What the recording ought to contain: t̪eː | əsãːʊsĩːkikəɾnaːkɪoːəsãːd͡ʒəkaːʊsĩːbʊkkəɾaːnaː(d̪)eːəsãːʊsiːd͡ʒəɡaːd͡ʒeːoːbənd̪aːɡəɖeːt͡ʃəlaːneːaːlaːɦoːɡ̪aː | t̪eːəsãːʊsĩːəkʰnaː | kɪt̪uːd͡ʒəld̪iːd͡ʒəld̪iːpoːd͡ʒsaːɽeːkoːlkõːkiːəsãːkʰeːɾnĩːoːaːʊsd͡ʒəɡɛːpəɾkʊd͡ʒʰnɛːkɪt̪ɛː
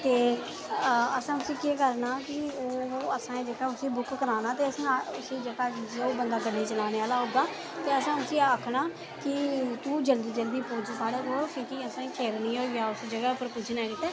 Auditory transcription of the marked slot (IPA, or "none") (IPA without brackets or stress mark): t̪